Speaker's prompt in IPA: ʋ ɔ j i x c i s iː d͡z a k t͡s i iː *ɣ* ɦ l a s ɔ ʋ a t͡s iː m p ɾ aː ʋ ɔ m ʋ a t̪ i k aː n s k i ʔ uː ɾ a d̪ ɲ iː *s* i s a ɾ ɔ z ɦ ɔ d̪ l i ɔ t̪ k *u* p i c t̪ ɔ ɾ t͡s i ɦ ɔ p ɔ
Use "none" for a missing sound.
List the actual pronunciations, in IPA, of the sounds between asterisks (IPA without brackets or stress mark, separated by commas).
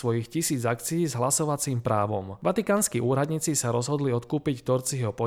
z, t͡s, uː